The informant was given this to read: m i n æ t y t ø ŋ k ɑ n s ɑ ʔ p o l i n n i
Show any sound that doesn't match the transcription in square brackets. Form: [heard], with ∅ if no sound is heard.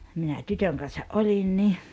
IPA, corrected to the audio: m i n æ t y t ø ŋ k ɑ n s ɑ ʔ [ʔ] o l i n n i